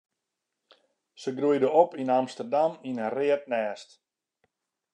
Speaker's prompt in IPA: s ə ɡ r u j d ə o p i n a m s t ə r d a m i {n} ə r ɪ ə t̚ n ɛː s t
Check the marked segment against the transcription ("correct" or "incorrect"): correct